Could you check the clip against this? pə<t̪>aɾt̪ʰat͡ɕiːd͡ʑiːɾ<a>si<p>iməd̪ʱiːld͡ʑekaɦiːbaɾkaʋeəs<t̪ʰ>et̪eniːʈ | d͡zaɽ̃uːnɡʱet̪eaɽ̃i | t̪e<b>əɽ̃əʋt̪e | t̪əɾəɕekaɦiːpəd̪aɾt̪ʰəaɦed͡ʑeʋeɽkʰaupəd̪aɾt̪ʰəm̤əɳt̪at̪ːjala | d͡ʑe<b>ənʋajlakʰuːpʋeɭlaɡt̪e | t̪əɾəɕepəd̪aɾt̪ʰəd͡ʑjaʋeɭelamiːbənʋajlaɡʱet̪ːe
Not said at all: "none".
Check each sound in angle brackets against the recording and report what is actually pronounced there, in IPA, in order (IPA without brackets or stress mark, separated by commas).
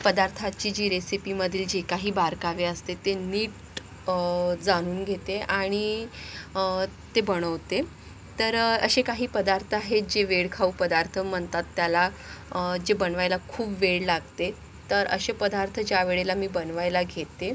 d̪, e, p, t̪, b, b